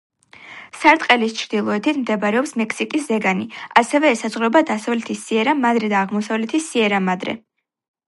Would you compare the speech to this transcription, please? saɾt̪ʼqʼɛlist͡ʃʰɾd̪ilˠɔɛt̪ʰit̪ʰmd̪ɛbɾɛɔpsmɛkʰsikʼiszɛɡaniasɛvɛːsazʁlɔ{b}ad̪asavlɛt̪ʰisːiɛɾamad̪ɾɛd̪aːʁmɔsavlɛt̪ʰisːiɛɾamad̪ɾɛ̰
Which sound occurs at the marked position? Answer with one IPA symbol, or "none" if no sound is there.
b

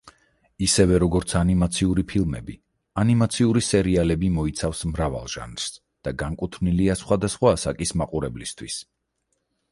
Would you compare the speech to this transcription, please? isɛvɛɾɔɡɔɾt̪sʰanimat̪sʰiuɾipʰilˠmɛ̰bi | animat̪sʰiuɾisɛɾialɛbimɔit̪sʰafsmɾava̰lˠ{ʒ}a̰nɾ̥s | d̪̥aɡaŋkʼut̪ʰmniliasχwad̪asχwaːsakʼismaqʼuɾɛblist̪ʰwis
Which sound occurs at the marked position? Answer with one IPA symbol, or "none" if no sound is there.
ʒ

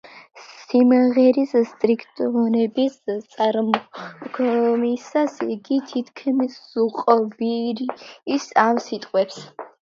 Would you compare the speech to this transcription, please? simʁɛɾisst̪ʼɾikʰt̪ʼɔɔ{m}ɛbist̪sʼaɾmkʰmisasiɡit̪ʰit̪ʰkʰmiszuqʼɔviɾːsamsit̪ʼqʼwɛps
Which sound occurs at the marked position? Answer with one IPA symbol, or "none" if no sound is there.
n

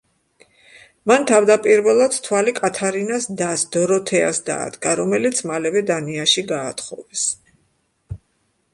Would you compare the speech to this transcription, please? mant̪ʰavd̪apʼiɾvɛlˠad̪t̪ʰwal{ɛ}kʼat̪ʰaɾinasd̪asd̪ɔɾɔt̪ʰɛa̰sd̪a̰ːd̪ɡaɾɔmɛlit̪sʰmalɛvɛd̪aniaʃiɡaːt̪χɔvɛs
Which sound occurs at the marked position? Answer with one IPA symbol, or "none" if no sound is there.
i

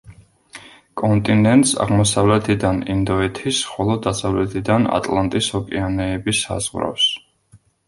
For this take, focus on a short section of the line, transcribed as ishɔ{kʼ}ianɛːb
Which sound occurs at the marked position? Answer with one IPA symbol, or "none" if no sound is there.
kʼ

